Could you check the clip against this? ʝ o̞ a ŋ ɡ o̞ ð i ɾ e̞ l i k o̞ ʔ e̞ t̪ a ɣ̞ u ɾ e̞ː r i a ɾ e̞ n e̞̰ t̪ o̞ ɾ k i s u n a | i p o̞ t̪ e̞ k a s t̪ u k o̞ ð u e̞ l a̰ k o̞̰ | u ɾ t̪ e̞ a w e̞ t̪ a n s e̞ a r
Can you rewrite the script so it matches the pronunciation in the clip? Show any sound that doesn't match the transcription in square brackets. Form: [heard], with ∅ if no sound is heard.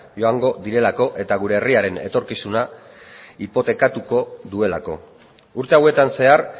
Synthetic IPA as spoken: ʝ o̞ a ŋ ɡ o̞ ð i ɾ e̞ l [a] k o̞ ʔ e̞ t̪ a ɣ̞ u ɾ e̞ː r i a ɾ e̞ n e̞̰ t̪ o̞ ɾ k i s u n a | i p o̞ t̪ e̞ k a [∅] t̪ u k o̞ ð u e̞ l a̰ k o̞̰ | u ɾ t̪ e̞ a w e̞ t̪ a n s e̞ a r

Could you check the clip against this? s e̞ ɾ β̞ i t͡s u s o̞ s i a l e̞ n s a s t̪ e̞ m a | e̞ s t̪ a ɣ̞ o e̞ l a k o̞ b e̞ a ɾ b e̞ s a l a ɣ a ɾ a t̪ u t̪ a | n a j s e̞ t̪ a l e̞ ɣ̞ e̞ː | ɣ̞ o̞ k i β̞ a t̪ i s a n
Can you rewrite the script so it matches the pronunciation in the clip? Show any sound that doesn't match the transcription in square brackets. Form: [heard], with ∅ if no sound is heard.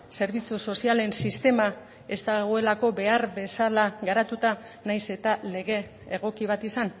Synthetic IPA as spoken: s e̞ ɾ β̞ i t͡s u s o̞ s i a l e̞ n s [i] s t̪ e̞ m a | e̞ s t̪ a ɣ̞ o e̞ l a k o̞ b e̞ a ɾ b e̞ s a l a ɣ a ɾ a t̪ u t̪ a | n a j s e̞ t̪ a l e̞ ɣ̞ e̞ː | ɣ̞ o̞ k i β̞ a t̪ i s a n

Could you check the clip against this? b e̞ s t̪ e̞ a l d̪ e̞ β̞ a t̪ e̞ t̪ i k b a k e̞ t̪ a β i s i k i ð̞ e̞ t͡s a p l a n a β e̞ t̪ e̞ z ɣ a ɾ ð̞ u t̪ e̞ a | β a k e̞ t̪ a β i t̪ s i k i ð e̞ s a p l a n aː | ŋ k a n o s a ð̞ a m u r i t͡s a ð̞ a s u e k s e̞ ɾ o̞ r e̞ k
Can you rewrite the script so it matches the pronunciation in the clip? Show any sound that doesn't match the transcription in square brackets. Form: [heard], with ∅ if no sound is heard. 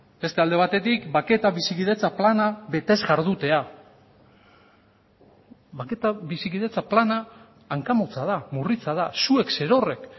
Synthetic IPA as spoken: b e̞ s t̪ e̞ a l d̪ e̞ β̞ a t̪ e̞ t̪ i k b a k e̞ t̪ a β i s i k i ð̞ e̞ t͡s a p l a n a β e̞ t̪ e̞ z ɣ a ɾ ð̞ u t̪ e̞ a | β a k e̞ t̪ a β i [∅] s i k i ð e̞ [t͡s] a p l a n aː | ŋ k a [m] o [t͡s] a ð̞ a m u r i t͡s a ð̞ a s u e k s e̞ ɾ o̞ r e̞ k

